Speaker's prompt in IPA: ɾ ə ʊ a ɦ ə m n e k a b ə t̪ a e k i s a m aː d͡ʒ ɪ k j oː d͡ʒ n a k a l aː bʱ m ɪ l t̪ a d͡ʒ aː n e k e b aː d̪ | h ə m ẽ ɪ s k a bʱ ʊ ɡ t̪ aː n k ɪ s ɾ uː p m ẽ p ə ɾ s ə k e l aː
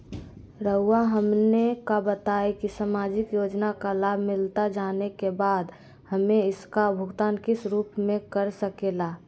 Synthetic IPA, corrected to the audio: ɾ ə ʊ a ɦ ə m n e k a b ə t̪ a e k i s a m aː d͡ʒ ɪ k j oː d͡ʒ n a k a l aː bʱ m ɪ l t̪ a d͡ʒ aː n e k e b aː d̪ | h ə m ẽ ɪ s k a bʱ ʊ ɡ t̪ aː n k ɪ s ɾ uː p m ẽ k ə ɾ s ə k e l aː